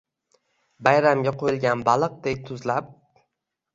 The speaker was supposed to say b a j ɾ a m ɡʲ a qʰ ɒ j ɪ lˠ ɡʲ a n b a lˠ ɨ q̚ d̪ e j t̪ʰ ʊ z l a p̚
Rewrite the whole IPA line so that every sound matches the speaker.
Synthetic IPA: b a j ɾ a m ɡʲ a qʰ o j ɪ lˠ ɡʲ a n b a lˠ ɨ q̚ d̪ e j t̪ʰ ʊ z l a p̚